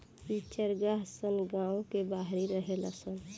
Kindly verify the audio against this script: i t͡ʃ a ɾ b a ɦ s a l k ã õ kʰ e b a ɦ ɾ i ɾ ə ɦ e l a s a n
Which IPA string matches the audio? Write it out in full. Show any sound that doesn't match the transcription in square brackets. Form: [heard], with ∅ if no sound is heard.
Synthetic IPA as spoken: i t͡ʃ [ə] ɾ [ɡ] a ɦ s [ə] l [ɡ] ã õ [k] e b a ɦ ɾ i ɾ ə ɦ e l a s [ə] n